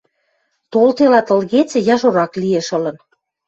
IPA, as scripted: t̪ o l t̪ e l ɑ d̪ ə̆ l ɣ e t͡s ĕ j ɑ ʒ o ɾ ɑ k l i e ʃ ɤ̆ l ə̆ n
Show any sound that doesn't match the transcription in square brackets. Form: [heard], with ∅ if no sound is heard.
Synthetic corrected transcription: t̪ o l t̪ e l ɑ [t̪] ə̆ l ɣ e t͡s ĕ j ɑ ʒ o ɾ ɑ k l i e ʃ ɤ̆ l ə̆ n